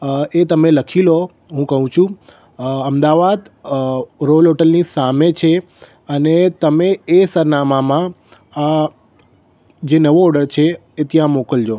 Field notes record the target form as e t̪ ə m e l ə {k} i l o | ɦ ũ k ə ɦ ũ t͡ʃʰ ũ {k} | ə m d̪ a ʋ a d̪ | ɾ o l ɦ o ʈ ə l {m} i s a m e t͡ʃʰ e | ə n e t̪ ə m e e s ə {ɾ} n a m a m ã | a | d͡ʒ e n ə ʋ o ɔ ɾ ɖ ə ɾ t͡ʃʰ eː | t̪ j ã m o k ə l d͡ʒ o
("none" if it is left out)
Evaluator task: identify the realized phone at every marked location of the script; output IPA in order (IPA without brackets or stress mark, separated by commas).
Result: kʰ, none, n, ɾ